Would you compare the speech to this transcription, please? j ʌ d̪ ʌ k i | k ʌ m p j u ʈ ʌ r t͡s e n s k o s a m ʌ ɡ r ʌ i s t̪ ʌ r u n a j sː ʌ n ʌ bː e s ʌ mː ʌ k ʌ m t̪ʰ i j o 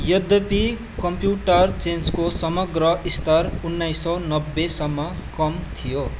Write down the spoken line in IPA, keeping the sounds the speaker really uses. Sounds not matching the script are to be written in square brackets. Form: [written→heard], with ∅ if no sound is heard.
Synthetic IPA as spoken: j ʌ d̪ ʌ [k→p] i | k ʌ m p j u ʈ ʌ r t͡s e n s k o s [a→ʌ] m ʌ ɡ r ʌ i s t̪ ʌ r u [n→nː] a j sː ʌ n ʌ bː e s ʌ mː ʌ k ʌ m t̪ʰ i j o